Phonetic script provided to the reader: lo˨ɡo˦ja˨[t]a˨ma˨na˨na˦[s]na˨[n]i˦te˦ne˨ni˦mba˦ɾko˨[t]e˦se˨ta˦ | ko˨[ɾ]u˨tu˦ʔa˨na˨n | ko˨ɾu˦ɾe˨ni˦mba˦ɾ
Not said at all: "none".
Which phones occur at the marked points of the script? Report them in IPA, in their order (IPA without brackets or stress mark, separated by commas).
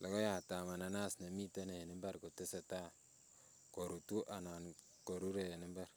t, s, m, t, ɾ